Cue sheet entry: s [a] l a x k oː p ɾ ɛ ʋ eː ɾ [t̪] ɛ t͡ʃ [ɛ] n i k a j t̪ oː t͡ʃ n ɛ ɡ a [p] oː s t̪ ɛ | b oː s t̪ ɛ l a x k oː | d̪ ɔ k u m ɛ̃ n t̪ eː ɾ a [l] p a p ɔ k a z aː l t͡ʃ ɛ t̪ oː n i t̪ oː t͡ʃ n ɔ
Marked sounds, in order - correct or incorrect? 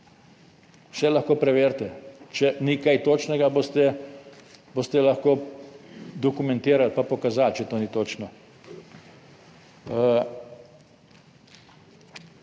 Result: incorrect: ɛ, correct, correct, incorrect: b, correct

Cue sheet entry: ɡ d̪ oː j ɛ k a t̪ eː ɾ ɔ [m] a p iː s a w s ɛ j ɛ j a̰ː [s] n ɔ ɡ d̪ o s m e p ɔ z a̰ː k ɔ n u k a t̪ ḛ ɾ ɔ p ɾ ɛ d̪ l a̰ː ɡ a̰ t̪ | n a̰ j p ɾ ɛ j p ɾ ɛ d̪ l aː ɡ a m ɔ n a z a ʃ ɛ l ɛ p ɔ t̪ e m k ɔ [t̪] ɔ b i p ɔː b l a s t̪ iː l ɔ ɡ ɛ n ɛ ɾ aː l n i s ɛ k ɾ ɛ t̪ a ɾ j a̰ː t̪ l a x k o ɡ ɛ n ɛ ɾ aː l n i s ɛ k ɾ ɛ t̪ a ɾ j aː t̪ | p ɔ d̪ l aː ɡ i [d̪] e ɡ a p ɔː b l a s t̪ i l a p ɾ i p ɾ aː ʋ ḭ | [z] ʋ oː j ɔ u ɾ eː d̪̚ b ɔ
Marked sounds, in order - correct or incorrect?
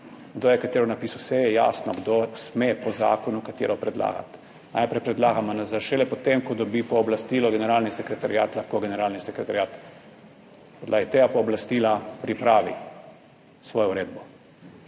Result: incorrect: n, correct, incorrect: d̪, incorrect: t̪, incorrect: s

